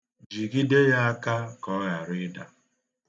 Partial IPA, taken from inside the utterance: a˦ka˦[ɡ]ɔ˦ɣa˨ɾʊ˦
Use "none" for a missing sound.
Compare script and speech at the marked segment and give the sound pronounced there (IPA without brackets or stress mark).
k